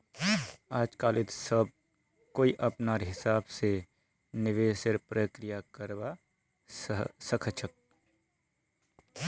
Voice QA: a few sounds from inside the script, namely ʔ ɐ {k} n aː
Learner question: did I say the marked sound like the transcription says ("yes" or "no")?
no